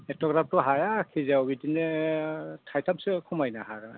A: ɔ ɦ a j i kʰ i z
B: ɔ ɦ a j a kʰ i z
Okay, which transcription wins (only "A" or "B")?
B